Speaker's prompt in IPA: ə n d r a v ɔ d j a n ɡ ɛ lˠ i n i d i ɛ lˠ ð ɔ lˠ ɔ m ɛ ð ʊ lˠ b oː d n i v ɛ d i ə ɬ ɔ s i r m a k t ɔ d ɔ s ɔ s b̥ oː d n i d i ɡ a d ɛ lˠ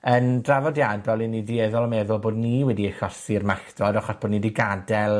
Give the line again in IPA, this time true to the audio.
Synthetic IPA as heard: ə n d r a v ɔ d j a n b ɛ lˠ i n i d i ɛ ð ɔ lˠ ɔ m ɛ ð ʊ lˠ b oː d n i w ɛ d i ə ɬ ɔ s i r m a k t ɔ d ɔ χ ɔ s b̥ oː d n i d i ɡ a d ɛ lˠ